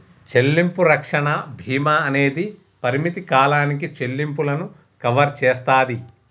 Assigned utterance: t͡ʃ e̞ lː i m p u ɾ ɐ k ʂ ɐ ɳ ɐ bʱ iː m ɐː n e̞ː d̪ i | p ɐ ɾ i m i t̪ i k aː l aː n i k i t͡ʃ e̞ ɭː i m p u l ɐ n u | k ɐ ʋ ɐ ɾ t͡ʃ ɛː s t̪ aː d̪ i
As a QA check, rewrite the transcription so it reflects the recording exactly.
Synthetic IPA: t͡ʃ e̞ lː i m p u ɾ ɐ k ʂ ɐ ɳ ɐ bʱ iː m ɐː n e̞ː d̪ i | p ɐ ɾ i m i t̪ i k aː l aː n i k i t͡ʃ e̞ lː i m p u l ɐ n u | k ɐ ʋ ɐ ɾ t͡ʃ ɛː s t̪ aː d̪ i